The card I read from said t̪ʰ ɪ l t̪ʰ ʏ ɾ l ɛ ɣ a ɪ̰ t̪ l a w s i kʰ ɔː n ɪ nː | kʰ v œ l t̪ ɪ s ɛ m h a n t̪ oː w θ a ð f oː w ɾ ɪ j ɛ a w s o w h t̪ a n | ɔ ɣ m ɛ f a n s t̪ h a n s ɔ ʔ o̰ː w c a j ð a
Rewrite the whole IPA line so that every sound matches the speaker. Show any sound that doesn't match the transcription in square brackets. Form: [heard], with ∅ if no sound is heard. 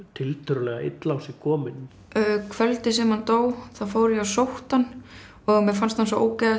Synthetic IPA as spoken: t̪ʰ ɪ l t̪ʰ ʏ ɾ l ɛ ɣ a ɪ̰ t̪ l a w s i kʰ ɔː [m] ɪ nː | kʰ v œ l t̪ ɪ s ɛ m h a n t̪ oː w θ a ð f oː w ɾ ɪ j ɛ a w s o w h t̪ a n | ɔ ɣ m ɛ f a n s t̪ h a n s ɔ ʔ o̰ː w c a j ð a

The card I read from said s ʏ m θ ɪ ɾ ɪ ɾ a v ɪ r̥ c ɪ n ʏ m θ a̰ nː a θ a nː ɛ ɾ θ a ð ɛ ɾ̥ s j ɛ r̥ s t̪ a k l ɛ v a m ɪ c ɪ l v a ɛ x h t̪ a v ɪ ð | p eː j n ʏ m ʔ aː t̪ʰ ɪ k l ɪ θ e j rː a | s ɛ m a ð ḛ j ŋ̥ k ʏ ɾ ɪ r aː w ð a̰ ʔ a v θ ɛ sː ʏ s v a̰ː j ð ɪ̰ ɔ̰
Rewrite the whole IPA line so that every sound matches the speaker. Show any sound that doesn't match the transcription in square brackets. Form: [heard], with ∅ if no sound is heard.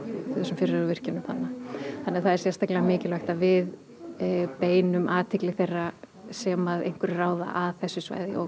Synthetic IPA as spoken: s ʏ m [f] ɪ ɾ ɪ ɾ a v ɪ r̥ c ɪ n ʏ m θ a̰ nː a θ a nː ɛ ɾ θ a ð ɛ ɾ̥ s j ɛ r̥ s t̪ a k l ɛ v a m [ɪː] c ɪ l v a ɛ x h t̪ a v ɪ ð | p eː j n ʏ m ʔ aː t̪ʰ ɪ k l ɪ θ e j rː a | s ɛ m a ð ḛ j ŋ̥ k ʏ ɾ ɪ r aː w ð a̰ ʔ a [ð] θ ɛ sː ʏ s v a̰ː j ð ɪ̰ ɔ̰

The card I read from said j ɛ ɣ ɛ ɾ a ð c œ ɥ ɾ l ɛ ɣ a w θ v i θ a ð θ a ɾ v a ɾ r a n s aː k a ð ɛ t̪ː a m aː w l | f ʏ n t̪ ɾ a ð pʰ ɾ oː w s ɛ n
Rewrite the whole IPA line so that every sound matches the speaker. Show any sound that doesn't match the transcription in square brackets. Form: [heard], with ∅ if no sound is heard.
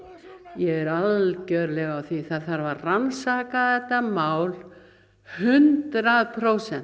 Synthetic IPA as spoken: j ɛ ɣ ɛ ɾ a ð c œ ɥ ɾ l ɛ ɣ a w θ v i θ a ð θ a ɾ v a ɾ r a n s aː k a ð ɛ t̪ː a m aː w l | [h] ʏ n t̪ ɾ a ð pʰ ɾ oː w s ɛ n

